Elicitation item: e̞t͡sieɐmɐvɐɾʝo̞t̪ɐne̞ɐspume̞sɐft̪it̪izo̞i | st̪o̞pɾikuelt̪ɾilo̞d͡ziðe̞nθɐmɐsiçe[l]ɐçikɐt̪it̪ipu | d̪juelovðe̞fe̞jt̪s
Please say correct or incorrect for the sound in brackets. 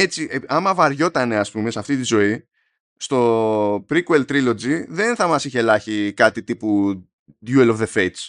correct